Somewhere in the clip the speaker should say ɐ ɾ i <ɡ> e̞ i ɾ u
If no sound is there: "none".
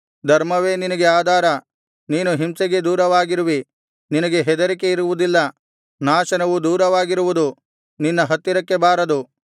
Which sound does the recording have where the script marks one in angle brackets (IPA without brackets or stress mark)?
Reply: k